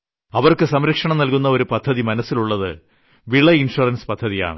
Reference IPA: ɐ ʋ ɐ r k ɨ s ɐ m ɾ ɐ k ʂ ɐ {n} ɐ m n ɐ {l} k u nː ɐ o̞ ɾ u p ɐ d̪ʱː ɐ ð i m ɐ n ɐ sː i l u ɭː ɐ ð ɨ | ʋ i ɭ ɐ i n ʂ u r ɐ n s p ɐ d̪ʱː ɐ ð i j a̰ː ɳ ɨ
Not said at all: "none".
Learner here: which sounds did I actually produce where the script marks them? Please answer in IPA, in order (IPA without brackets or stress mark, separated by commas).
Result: ɳ, l